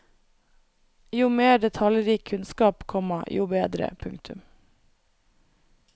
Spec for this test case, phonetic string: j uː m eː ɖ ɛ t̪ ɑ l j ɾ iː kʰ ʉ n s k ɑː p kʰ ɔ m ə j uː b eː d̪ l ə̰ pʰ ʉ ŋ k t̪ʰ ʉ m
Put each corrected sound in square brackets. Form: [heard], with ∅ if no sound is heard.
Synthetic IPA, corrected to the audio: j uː m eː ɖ ɛ [t̪ʰ] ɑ l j ɾ iː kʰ ʉ n s k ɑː p kʰ ɔ m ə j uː b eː d̪ [ɾ] ə̰ pʰ ʉ ŋ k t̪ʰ ʉ m

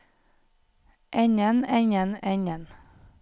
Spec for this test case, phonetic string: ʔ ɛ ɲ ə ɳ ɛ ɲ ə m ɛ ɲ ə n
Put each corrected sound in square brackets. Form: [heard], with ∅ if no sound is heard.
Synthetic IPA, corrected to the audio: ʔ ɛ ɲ ə [n] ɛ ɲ ə [n] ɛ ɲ ə n

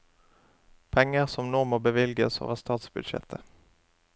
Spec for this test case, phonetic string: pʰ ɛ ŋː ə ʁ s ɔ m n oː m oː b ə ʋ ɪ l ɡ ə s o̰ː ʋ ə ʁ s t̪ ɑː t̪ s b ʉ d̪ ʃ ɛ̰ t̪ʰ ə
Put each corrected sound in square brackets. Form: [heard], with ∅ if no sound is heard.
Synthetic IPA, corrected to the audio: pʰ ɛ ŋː ə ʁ s ɔ m n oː m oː b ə ʋ ɪ l ɡ ə s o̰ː ʋ ə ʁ s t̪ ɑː t̪ s b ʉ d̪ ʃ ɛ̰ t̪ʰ ə

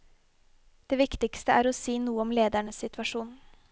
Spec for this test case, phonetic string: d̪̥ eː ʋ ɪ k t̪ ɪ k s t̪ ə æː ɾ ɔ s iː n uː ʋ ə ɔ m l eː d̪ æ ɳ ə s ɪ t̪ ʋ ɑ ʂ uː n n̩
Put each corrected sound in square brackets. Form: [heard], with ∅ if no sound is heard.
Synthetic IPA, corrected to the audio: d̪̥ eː ʋ ɪ k t̪ ɪ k s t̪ ə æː ɾ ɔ s iː n uː [∅] ə ɔ m l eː d̪ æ ɳ ə s ɪ t̪ ʋ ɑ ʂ uː n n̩

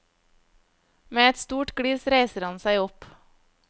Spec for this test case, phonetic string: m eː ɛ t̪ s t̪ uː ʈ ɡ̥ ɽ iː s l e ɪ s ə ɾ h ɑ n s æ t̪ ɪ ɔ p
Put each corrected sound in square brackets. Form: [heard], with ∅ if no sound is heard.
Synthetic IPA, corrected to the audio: m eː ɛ t̪ s t̪ uː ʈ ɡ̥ ɽ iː s [ɾ] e ɪ s ə ɾ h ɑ n s æ [∅] ɪ ɔ p

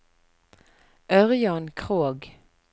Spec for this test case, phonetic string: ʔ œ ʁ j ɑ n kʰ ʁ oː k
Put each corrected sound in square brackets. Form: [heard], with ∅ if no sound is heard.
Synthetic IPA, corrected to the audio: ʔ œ ʁ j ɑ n kʰ ʁ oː [ɡ]

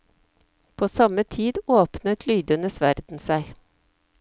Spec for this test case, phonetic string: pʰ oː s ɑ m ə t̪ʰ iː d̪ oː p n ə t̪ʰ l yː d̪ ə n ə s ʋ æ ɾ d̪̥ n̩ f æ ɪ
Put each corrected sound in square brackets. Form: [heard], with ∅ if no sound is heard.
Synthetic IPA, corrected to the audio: pʰ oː s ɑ m ə t̪ʰ iː d̪ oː p n ə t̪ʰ l yː d̪ ə n ə s ʋ æ ɾ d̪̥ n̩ [s] æ ɪ

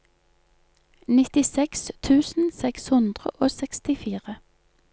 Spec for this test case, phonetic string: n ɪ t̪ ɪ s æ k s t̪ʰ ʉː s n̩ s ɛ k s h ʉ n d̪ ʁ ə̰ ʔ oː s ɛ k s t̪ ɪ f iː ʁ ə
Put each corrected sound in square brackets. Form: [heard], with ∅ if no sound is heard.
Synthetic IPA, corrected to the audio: n ɪ t̪ ɪ s [ɛ] k s t̪ʰ ʉː s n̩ s ɛ k s h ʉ n d̪ ʁ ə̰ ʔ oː s ɛ k s t̪ ɪ f iː ʁ ə

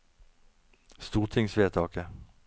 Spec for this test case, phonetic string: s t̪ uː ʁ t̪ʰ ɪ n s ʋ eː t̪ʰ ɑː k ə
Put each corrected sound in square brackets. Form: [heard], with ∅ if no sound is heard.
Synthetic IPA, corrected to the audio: s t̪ uː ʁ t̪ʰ ɪ [ŋ] s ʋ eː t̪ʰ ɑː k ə

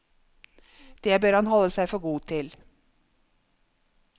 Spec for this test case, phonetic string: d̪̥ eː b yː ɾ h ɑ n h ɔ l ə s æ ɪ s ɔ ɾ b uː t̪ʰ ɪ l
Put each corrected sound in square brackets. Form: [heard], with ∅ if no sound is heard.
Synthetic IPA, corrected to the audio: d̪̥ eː b [øː] ɾ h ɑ n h ɔ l ə s æ ɪ [f] ɔ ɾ [ɡ] uː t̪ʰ ɪ l

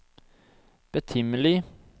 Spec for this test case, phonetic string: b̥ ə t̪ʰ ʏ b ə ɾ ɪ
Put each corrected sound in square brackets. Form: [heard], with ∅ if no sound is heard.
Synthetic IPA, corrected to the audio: b̥ ə t̪ʰ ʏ [m] ə [l] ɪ

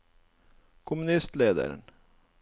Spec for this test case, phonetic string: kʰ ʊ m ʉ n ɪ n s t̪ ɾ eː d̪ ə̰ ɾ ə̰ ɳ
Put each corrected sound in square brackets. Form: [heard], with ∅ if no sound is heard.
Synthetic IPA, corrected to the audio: kʰ ʊ m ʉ n ɪ [∅] s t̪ [l] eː d̪ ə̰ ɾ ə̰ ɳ

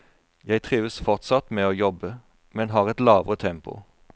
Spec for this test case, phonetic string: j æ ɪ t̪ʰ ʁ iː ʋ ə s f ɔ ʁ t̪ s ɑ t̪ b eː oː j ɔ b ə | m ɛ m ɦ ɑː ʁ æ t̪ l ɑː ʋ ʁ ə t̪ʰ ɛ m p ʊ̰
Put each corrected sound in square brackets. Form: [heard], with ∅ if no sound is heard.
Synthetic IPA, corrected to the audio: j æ ɪ t̪ʰ ʁ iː ʋ ə s f ɔ ʁ t̪ s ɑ t̪ [m] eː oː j ɔ b ə | m ɛ [n] ɦ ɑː ʁ [ɛ] t̪ l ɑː ʋ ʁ ə t̪ʰ ɛ m p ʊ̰

